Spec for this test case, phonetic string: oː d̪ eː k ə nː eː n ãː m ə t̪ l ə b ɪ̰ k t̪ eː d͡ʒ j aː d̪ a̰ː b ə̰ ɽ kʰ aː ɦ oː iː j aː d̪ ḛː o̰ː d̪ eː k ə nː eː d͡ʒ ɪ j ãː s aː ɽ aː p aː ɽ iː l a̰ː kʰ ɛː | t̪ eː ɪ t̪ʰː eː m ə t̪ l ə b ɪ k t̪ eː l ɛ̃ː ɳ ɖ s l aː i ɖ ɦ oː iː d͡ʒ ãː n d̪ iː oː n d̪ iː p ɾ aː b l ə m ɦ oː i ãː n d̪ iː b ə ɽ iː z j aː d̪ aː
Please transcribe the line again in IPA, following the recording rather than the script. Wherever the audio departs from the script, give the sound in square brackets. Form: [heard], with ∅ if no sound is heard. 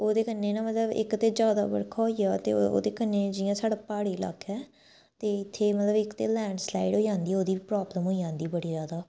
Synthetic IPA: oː d̪ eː k ə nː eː n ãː m ə t̪ l ə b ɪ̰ k t̪ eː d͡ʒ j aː d̪ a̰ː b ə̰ ɽ kʰ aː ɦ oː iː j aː [t̪] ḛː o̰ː d̪ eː k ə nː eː d͡ʒ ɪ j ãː s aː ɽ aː p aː ɽ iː l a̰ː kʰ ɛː | t̪ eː ɪ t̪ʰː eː m ə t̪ l ə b ɪ k t̪ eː l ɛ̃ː ɳ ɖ s l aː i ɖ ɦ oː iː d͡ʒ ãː n d̪ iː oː [∅] d̪ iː p ɾ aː b l ə m ɦ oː i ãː n d̪ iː b ə ɽ iː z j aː d̪ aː